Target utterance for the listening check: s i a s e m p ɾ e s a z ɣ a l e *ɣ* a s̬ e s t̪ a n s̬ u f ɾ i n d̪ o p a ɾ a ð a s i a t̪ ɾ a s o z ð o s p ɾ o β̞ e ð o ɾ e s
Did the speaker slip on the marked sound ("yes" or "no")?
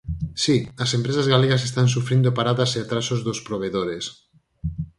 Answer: no